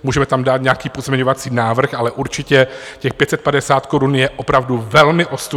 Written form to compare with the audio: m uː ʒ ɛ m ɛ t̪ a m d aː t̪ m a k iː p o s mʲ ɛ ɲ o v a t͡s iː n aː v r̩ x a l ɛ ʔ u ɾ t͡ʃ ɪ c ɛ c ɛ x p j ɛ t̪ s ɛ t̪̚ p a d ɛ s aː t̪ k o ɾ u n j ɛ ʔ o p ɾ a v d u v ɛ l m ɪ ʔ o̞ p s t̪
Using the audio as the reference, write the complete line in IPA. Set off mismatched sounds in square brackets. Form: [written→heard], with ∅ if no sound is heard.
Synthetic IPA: m uː ʒ ɛ m ɛ t̪ a m d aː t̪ [m→ɲ] a k iː p o [s→z] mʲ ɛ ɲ o v a t͡s iː n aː v r̩ x a l ɛ ʔ u ɾ t͡ʃ ɪ c ɛ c ɛ x p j ɛ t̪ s ɛ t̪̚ p a d ɛ s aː t̪ k o ɾ u n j ɛ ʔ o p ɾ a v d u v ɛ l m ɪ ʔ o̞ [p→∅] s t̪